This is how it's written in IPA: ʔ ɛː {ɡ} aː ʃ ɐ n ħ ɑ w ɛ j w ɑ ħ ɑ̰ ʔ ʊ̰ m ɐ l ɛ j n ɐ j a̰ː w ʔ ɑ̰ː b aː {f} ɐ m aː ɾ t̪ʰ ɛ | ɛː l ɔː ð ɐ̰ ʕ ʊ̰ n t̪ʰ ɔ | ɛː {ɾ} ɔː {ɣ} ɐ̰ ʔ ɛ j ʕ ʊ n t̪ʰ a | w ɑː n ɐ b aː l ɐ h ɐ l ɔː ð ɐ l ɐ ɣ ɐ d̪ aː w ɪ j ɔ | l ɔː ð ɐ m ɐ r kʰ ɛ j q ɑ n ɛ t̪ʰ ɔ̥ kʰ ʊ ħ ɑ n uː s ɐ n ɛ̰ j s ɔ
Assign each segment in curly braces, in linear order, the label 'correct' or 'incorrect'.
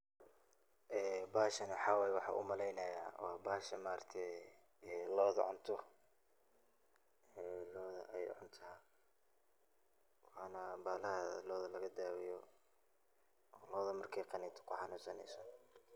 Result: incorrect: b, incorrect: ʃ, incorrect: l, incorrect: ð

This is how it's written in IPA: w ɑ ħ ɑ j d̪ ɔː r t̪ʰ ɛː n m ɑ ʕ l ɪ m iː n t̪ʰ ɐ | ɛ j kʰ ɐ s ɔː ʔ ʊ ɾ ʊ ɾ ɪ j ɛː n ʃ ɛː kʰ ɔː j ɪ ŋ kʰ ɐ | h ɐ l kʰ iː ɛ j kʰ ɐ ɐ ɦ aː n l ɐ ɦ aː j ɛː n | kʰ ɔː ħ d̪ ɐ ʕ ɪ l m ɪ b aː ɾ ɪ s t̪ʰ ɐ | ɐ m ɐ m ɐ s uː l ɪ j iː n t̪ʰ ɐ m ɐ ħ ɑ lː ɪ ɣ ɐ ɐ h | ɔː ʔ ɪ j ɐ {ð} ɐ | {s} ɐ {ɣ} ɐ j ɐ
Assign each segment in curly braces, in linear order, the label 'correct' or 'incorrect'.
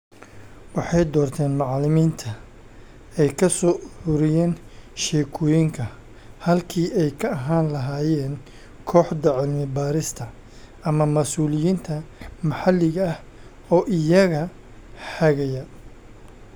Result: incorrect: ɣ, incorrect: ħ, correct

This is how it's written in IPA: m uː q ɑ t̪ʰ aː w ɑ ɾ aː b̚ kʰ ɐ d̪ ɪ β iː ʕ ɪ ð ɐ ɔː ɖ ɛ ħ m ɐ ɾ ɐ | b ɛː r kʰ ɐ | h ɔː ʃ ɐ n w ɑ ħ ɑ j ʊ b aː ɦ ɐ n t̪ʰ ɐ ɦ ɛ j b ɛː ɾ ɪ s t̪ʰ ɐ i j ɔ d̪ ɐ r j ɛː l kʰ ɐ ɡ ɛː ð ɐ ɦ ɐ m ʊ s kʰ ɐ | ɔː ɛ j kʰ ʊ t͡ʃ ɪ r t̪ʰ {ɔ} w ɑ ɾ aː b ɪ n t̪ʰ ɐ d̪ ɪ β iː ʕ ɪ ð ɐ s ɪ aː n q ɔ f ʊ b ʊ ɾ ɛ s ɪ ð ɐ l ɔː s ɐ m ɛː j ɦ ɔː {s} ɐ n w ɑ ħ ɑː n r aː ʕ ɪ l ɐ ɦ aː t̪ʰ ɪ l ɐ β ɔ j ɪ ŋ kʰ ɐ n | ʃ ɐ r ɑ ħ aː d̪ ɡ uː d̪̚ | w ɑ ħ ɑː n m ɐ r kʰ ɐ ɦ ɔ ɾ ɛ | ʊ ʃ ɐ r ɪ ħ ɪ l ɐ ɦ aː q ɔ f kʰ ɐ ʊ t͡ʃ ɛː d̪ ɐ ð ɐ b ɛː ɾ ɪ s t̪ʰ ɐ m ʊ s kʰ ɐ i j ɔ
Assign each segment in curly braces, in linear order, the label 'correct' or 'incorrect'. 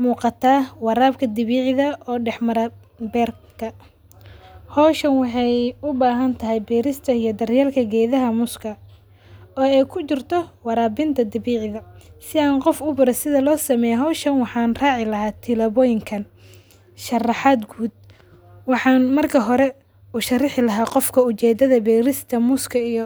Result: correct, incorrect: ʃ

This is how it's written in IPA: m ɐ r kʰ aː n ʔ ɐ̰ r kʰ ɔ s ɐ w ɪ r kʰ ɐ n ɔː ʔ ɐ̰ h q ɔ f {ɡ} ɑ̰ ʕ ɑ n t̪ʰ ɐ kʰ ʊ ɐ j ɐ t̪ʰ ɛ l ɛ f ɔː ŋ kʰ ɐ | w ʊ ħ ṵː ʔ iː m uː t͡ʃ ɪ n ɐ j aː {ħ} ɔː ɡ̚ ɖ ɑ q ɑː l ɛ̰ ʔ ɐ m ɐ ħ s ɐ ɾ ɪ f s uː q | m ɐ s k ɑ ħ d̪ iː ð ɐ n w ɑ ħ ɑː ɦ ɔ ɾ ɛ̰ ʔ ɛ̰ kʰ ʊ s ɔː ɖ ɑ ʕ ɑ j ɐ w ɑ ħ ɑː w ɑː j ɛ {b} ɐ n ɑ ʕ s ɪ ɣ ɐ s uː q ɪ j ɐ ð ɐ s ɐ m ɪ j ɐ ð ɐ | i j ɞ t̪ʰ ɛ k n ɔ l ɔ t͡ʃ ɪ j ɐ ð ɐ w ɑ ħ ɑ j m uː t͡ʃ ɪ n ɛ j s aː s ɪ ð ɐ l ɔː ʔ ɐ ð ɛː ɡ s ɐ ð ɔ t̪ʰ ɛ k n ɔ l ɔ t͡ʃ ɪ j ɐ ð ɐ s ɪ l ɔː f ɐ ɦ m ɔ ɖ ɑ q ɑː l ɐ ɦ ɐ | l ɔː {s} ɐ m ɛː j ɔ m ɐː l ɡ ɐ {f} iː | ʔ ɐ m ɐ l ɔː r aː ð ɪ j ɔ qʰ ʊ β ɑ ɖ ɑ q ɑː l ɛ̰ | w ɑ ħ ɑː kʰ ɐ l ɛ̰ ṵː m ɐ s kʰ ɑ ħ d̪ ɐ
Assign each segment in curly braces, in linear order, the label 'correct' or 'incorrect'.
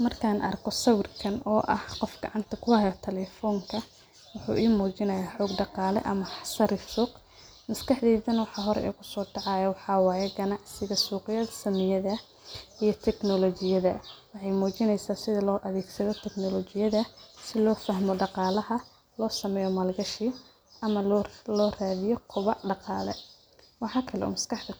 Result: correct, correct, incorrect: ɡ, correct, incorrect: ʃ

